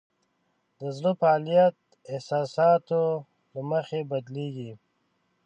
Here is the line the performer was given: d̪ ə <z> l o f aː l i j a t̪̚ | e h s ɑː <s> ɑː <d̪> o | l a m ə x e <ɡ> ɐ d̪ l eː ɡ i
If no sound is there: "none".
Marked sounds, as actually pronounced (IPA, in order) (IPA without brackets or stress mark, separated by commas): z, s, t̪, b